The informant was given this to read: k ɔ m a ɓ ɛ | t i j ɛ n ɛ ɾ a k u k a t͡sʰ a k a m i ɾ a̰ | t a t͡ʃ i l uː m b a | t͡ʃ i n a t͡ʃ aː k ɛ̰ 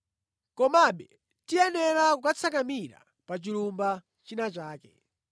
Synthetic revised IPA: k ɔ m a ɓ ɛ | t i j ɛ n ɛ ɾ a k u k a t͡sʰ a k a m i ɾ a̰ | p a t͡ʃ i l u m b a | t͡ʃ i n a t͡ʃ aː k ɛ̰